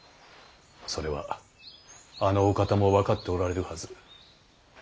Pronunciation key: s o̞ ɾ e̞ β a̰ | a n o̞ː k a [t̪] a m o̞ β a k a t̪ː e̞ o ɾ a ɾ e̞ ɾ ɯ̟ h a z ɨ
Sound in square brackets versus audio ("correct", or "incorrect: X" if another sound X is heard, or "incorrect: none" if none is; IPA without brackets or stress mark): correct